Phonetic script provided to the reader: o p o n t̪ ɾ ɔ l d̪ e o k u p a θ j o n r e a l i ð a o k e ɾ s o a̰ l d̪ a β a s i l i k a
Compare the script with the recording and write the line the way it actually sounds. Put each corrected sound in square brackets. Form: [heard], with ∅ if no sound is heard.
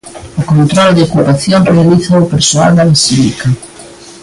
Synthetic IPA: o [k] o n t̪ ɾ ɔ l d̪ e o k u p a θ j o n r e a l i [θ] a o [p] e ɾ s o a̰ l d̪ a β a s i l i k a